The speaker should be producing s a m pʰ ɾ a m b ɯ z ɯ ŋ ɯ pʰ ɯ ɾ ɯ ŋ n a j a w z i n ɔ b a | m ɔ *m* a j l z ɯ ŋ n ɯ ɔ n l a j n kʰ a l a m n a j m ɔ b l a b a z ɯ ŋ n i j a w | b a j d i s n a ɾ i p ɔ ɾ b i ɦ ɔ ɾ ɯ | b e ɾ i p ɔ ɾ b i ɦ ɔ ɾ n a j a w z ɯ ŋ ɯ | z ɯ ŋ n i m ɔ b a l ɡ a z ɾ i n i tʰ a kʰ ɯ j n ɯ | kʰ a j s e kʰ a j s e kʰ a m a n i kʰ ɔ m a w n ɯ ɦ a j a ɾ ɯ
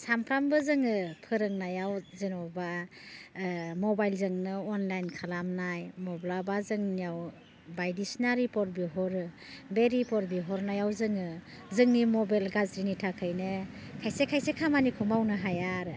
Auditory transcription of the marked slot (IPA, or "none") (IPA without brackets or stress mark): b